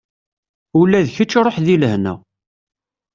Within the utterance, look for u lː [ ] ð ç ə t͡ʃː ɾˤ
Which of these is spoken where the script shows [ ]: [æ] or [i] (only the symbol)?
æ